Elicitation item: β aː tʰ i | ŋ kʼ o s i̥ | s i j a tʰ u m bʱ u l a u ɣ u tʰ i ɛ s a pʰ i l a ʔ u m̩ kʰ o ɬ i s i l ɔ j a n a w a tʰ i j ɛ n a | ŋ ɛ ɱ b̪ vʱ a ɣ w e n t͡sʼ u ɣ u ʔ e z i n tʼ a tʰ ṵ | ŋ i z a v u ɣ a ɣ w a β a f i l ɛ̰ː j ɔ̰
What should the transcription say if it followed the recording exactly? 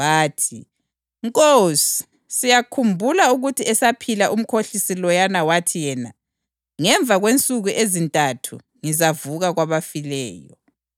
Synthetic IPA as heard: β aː tʰ i | ŋ kʼ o s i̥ | s i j a kʰ u m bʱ u l a u ɣ u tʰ i ɛ s a pʰ i l a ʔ u m̩ kʰ o ɬ i s i l ɔ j a n a w a tʰ i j ɛ n a | ŋ ɛ ɱ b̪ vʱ a ɣ w e n t͡sʼ u ɣ u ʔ e z i n tʼ a tʰ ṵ | ŋ i z a v u ɣ a ɣ w a β a f i l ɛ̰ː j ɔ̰